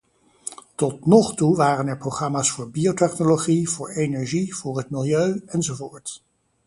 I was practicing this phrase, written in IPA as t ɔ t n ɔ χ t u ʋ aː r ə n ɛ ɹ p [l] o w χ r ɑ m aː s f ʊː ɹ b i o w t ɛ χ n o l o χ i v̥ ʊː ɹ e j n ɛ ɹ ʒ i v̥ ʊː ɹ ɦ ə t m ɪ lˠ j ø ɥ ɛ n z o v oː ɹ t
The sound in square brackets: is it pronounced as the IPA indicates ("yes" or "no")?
no